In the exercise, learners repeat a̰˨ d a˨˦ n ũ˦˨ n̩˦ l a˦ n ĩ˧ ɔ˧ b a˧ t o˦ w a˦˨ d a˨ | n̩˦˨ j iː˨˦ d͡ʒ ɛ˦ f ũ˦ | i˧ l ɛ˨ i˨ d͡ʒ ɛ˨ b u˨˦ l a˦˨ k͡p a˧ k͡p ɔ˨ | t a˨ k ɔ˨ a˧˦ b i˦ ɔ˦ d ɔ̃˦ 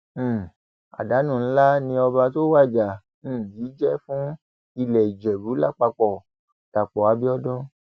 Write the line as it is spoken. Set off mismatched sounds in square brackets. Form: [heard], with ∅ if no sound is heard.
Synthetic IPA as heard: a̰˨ d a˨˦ n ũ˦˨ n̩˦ l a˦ n ĩ˧ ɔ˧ b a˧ t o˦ w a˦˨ [d͡ʒ] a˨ | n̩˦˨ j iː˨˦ d͡ʒ ɛ˦ f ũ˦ | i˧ l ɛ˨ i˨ d͡ʒ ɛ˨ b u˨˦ l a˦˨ k͡p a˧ k͡p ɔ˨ | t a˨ [k͡p] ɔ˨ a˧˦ b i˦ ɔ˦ d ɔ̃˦